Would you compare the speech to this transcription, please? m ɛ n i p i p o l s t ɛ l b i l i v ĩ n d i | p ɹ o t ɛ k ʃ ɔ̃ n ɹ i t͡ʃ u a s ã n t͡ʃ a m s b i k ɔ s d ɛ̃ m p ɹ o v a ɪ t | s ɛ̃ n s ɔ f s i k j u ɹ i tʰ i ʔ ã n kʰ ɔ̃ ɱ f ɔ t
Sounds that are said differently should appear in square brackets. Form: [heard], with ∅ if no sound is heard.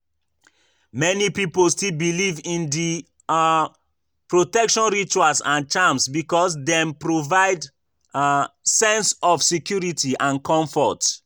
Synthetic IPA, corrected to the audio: m ɛ n i p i p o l s t [i] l b i l i v ĩ n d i | p ɹ o t ɛ k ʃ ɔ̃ n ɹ i t͡ʃ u a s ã n t͡ʃ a m s b i k ɔ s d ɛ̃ m p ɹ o v a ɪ [d] | s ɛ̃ n s ɔ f s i k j u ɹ i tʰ i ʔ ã n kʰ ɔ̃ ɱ f ɔ t